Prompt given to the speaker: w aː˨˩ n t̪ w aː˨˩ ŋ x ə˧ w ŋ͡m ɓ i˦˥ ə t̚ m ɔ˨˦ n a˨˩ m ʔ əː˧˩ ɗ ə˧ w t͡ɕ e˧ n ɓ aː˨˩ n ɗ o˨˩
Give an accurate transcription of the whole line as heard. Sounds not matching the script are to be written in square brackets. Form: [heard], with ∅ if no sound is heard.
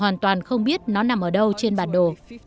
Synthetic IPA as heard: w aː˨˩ n t̪ w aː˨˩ [n] x ə˧ w ŋ͡m ɓ i˦˥ ə t̚ [n] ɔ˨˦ n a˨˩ m ʔ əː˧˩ ɗ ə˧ w t͡ɕ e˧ n ɓ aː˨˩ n ɗ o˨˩